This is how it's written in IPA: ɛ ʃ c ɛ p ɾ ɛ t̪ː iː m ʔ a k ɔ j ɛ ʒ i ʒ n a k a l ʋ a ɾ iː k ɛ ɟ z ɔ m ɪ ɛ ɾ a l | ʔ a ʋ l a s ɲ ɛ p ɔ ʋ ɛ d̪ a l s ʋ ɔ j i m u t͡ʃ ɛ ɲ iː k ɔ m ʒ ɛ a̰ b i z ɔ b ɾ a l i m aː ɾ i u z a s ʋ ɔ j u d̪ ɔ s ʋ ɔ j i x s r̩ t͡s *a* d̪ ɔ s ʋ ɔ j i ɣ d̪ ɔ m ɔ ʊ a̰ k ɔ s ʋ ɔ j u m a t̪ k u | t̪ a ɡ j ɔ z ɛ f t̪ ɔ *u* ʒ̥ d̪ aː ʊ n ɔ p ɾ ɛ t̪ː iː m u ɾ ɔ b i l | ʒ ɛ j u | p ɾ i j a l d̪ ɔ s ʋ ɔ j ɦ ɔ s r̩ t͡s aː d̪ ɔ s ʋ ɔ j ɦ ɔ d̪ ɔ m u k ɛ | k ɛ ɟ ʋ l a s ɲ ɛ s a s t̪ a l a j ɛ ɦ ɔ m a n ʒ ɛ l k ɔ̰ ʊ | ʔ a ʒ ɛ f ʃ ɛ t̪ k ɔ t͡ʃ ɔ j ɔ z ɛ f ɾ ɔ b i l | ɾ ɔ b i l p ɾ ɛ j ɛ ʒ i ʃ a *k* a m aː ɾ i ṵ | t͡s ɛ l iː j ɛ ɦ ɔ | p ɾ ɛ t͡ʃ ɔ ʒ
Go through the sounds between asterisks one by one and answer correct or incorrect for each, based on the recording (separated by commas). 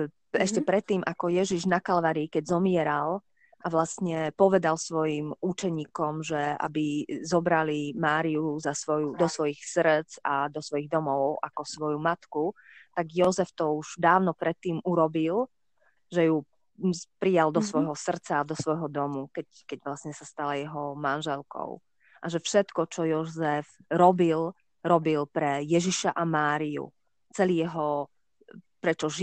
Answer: correct, correct, incorrect